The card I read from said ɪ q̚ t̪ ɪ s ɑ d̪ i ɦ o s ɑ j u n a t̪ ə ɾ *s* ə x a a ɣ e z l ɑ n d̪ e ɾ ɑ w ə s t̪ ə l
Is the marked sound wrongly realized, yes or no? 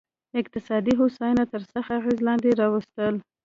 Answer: no